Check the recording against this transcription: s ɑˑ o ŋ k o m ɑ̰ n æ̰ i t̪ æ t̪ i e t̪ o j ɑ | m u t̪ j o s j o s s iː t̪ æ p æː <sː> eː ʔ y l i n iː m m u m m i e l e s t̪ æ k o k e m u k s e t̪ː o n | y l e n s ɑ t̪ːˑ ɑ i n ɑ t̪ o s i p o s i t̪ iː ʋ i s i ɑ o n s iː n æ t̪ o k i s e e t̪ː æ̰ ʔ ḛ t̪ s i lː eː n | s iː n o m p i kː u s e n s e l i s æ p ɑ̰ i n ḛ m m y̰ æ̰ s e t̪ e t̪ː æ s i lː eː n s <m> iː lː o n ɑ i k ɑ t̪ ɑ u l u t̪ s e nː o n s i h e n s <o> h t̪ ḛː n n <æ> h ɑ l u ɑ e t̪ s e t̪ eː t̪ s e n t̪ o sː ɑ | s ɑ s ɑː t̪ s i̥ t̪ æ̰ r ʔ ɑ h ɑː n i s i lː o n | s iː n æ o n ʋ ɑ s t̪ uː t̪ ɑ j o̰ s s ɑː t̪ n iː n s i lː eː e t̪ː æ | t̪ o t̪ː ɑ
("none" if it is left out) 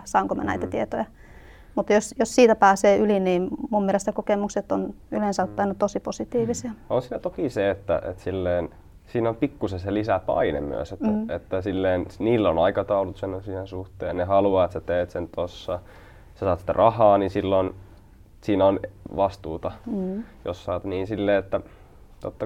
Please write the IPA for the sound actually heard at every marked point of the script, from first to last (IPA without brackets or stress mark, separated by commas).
s, n, u, e